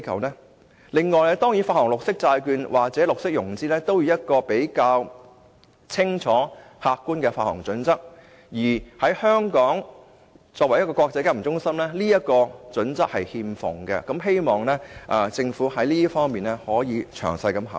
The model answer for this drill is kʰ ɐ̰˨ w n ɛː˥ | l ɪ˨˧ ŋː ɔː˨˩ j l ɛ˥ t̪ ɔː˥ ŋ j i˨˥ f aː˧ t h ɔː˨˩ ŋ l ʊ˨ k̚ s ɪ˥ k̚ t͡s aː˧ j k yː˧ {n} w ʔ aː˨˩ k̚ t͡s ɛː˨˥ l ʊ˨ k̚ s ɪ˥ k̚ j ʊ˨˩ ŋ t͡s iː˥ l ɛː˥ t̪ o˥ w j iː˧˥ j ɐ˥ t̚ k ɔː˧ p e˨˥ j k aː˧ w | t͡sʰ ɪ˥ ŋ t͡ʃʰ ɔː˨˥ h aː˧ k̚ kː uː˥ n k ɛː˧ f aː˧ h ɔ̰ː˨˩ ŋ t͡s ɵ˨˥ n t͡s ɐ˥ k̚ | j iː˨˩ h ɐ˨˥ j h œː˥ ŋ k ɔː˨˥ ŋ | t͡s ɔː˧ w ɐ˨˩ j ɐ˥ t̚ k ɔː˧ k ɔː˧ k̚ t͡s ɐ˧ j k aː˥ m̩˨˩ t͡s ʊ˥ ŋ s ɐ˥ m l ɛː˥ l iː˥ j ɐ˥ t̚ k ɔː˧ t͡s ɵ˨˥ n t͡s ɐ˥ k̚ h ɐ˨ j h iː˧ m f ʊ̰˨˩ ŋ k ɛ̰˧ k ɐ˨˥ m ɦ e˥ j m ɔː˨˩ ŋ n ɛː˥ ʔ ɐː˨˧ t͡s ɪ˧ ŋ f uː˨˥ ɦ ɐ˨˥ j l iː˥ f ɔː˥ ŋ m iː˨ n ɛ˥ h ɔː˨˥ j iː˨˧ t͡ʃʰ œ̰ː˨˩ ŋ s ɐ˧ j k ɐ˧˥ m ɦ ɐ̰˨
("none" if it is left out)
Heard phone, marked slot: n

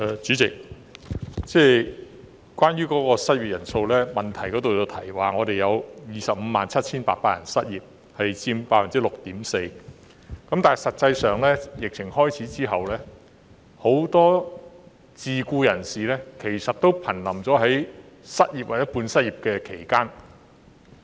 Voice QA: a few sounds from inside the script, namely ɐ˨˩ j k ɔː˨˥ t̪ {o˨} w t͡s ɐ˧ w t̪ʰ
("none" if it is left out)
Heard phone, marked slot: o˨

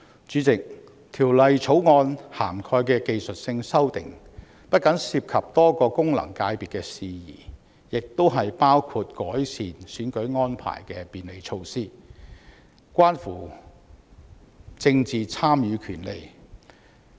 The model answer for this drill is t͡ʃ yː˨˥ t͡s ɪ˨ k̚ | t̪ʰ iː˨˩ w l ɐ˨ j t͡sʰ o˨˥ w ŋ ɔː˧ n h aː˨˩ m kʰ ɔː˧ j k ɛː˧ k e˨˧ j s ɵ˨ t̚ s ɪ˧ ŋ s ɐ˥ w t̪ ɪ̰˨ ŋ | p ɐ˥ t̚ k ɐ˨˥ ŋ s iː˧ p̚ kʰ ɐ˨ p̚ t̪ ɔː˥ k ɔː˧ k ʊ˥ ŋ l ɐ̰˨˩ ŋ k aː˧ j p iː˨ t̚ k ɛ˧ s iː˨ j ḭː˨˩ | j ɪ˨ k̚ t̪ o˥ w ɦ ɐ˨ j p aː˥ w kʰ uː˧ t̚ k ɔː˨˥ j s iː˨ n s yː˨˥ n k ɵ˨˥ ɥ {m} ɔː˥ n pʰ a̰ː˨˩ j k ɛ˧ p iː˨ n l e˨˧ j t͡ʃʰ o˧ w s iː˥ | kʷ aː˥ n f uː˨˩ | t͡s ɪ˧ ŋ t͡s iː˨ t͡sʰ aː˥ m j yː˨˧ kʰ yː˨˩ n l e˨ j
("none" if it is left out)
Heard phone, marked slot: ŋ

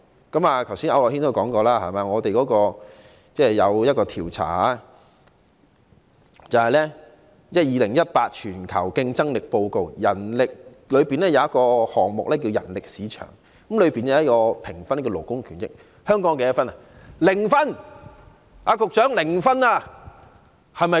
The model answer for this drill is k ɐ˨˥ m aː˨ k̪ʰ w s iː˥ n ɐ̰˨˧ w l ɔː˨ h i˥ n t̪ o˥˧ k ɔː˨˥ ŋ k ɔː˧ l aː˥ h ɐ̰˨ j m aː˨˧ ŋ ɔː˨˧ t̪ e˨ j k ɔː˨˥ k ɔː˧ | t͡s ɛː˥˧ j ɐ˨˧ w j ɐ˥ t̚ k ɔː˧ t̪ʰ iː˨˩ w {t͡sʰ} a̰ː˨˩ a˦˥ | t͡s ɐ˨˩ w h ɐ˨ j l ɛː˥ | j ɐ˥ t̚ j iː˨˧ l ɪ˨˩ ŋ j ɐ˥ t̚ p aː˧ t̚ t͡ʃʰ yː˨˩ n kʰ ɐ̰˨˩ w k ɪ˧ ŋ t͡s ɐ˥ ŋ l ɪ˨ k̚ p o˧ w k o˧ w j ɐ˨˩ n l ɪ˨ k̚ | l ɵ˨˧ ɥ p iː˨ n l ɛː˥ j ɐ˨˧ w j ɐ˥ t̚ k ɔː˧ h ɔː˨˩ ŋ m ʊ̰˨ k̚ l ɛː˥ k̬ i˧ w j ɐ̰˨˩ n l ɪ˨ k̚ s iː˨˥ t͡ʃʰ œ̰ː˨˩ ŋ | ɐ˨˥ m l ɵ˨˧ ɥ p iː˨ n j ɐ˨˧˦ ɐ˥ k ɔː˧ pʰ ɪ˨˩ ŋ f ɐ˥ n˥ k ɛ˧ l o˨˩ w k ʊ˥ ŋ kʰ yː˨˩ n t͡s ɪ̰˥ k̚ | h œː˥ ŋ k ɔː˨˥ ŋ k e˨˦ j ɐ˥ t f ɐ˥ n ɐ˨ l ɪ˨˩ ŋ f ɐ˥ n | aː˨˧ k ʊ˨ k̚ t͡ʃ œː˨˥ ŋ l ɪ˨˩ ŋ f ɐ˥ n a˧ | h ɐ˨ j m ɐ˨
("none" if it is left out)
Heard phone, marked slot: t͡sʰ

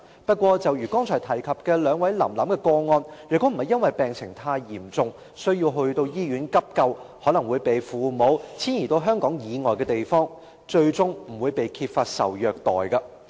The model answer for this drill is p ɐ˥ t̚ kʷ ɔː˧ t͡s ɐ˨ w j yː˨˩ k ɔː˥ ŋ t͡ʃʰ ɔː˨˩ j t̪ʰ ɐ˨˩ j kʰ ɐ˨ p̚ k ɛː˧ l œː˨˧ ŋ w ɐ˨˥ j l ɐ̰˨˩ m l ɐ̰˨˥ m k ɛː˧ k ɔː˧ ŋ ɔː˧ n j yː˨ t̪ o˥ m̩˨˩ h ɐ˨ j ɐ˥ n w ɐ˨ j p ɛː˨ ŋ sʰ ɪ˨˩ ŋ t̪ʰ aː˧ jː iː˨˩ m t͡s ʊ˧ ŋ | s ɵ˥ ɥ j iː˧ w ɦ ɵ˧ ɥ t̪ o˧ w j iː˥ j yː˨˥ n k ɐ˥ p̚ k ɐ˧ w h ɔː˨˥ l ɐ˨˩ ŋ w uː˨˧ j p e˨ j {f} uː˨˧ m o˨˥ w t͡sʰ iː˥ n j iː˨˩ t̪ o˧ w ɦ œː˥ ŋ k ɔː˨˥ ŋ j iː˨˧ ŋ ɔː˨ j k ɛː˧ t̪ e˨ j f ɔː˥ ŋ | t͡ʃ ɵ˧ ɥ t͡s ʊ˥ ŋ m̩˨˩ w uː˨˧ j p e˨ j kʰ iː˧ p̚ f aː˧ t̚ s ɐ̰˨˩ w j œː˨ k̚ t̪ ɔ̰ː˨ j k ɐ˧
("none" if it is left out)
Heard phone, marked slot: f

